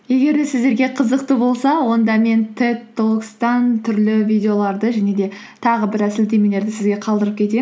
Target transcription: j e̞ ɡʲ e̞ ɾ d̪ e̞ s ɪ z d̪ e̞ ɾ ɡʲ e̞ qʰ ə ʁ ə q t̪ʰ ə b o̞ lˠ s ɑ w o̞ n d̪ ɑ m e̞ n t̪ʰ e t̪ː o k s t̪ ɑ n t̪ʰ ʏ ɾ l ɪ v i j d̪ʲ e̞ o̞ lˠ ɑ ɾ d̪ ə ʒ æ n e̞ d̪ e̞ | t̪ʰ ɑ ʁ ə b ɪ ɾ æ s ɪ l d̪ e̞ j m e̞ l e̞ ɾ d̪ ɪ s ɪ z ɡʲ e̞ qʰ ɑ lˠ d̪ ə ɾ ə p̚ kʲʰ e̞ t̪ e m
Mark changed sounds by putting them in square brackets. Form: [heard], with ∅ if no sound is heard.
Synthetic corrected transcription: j e̞ ɡʲ e̞ ɾ d̪ e̞ s ɪ z d̪ e̞ ɾ ɡʲ e̞ qʰ ə [z] ə q [t̪] ə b o̞ lˠ s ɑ w o̞ n d̪ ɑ m e̞ n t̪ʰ e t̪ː o k s t̪ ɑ n t̪ʰ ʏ ɾ l ɪ v i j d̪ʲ e̞ o̞ lˠ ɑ ɾ d̪ ə ʒ æ n e̞ d̪ e̞ | t̪ʰ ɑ ʁ ə b ɪ ɾ æ s ɪ l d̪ e̞ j m e̞ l e̞ ɾ d̪ ɪ s ɪ z ɡʲ e̞ qʰ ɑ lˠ d̪ ə ɾ ə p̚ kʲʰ e̞ t̪ e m